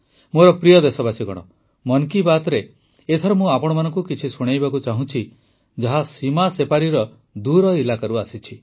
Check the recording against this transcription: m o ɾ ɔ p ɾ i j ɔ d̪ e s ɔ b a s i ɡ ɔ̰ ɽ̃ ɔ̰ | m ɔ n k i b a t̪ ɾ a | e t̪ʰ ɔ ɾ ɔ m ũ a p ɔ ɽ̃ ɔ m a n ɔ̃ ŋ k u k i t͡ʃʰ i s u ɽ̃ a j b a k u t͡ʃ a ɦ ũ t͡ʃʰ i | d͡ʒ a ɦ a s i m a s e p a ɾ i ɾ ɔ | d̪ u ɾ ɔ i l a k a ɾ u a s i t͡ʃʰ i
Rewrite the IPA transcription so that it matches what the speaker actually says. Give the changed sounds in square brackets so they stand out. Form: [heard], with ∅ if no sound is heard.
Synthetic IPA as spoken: m o ɾ ɔ p ɾ i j ɔ d̪ e s ɔ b a s i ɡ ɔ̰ ɽ̃ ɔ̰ | m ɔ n k i b a t̪ ɾ [e] | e t̪ʰ ɔ ɾ ɔ m ũ a p ɔ ɽ̃ ɔ m a n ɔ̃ ŋ k u k i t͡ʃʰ i s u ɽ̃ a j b a k u t͡ʃ a ɦ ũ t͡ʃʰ i | d͡ʒ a ɦ a s i m a s e p a ɾ i ɾ ɔ | d̪ u ɾ ɔ i l a k a ɾ u a s i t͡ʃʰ i